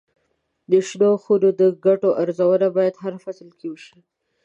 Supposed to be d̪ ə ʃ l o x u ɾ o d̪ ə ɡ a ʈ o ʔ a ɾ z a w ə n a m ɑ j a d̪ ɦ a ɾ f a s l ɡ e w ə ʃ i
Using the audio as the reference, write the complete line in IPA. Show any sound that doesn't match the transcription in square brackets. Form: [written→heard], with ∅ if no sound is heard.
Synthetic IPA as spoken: d̪ ə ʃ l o x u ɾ o d̪ ə ɡ a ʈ o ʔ a ɾ z a w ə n a [m→b] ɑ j a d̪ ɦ a ɾ f a s l [ɡ→k] e w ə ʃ i